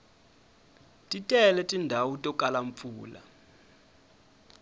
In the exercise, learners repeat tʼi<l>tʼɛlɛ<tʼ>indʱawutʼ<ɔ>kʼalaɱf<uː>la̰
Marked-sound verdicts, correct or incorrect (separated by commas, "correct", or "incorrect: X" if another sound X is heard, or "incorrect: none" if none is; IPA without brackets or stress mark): incorrect: none, correct, correct, correct